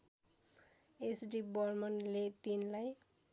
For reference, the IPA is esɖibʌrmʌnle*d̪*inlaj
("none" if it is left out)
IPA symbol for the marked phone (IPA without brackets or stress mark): t̪